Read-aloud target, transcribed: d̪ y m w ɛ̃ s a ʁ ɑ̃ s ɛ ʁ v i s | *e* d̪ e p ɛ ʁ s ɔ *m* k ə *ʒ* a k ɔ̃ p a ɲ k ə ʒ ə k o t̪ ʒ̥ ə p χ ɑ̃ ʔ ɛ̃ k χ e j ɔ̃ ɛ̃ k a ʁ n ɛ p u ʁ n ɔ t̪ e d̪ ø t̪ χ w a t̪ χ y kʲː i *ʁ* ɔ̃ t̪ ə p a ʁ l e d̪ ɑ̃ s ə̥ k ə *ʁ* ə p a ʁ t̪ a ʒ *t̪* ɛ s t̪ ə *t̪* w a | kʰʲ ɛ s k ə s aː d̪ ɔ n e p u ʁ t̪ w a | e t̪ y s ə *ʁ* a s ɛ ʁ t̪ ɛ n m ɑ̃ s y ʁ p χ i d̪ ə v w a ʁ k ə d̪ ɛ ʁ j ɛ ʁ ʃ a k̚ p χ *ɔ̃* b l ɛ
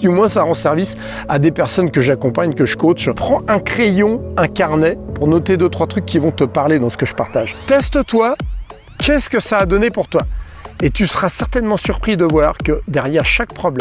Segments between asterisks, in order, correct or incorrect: incorrect: a, incorrect: n, correct, incorrect: v, incorrect: ʒ, correct, correct, correct, incorrect: ɔ

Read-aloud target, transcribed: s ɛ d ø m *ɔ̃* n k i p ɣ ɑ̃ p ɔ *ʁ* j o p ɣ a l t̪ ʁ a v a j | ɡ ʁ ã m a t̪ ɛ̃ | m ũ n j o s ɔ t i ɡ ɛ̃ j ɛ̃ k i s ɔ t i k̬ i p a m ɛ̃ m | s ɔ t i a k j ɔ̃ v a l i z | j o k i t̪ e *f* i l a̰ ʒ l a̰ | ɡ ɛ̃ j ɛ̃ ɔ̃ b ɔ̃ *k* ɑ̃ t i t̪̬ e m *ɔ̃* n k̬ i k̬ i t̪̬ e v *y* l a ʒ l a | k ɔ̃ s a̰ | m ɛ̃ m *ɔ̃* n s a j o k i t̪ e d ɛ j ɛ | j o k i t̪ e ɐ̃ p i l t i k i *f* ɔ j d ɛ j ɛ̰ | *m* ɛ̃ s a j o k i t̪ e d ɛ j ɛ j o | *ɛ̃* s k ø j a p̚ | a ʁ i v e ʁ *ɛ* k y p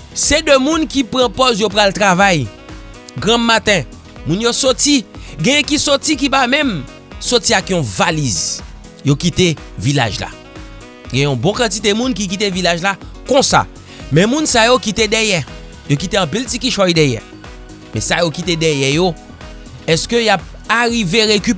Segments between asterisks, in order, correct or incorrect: incorrect: ũ, incorrect: z, incorrect: v, correct, incorrect: ũ, incorrect: i, incorrect: ũ, incorrect: ʃ, correct, incorrect: ɛ, incorrect: e

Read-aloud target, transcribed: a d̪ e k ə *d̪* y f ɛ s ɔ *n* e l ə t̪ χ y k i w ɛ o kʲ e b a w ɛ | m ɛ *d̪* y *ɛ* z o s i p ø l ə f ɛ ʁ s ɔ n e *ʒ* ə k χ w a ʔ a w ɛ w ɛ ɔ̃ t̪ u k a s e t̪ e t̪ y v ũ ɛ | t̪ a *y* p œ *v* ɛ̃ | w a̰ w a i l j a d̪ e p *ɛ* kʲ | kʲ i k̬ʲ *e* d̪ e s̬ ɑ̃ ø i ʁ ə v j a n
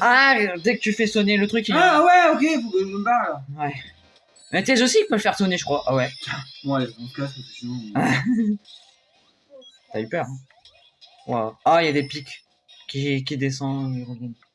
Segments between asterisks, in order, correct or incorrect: incorrect: t̪, correct, incorrect: t̪, correct, correct, correct, incorrect: ʁ, incorrect: i, incorrect: i

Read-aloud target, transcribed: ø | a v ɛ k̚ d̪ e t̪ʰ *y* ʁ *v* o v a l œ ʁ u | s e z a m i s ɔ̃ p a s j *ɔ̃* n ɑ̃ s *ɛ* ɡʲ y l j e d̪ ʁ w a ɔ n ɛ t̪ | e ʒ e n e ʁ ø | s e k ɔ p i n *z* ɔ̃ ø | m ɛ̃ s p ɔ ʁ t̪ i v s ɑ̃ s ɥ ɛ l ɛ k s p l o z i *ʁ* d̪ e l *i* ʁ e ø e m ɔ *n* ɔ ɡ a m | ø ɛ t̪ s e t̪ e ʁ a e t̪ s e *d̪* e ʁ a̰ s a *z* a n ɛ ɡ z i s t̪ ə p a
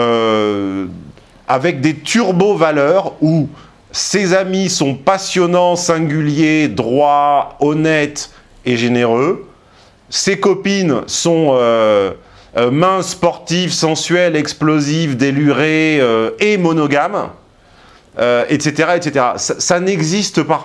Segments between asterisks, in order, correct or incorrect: correct, incorrect: b, incorrect: ɔ, incorrect: ɛ̃, incorrect: s, incorrect: v, incorrect: y, correct, incorrect: t̪, incorrect: s

